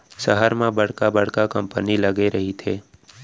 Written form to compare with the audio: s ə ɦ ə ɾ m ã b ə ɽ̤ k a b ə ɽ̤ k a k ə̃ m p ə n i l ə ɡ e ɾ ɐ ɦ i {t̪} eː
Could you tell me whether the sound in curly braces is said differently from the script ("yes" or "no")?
yes